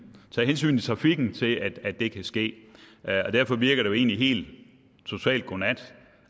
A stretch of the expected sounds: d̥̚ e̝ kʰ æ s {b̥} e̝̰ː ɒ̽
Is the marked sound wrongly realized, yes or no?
yes